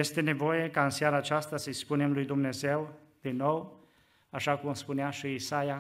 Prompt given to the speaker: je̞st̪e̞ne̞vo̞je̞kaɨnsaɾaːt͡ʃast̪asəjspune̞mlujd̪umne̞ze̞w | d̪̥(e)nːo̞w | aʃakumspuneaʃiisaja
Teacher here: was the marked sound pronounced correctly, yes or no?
no